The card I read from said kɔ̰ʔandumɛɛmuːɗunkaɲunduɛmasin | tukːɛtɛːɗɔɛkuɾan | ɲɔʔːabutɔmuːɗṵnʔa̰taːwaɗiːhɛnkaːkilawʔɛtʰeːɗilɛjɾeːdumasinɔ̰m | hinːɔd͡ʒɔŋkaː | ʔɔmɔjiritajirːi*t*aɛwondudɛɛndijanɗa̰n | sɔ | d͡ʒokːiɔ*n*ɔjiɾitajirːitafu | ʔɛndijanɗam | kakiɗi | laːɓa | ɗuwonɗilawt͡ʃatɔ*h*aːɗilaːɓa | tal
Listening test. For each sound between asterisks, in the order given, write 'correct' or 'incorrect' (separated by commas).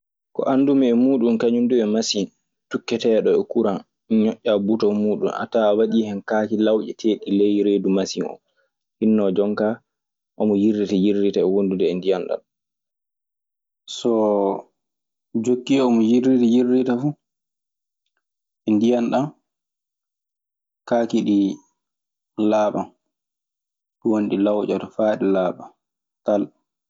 correct, incorrect, incorrect